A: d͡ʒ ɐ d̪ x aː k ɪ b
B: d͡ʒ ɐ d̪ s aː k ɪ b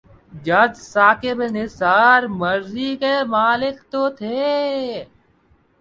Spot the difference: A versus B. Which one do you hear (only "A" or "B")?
B